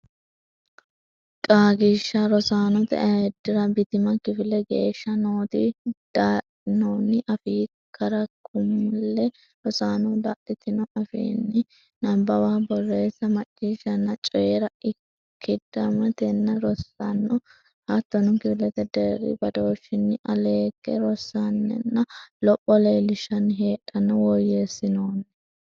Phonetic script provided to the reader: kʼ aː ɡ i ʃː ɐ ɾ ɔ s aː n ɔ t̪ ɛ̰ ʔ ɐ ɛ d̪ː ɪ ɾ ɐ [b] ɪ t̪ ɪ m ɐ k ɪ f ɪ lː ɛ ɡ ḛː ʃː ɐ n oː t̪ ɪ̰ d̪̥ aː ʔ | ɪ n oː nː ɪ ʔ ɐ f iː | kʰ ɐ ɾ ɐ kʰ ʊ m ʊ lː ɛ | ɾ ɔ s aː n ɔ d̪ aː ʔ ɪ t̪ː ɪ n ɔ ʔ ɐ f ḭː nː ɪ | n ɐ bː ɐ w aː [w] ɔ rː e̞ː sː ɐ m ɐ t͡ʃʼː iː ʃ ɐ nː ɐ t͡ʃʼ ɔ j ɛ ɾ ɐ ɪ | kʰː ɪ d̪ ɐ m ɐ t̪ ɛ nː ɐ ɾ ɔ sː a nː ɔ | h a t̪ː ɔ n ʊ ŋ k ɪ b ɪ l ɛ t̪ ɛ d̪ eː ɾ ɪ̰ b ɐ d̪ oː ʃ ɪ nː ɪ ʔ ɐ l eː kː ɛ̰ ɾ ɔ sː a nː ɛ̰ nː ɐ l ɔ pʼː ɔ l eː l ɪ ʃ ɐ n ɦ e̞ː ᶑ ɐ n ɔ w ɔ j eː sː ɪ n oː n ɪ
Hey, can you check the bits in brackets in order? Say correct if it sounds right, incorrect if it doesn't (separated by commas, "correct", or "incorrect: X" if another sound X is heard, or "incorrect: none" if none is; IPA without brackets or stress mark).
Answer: correct, incorrect: b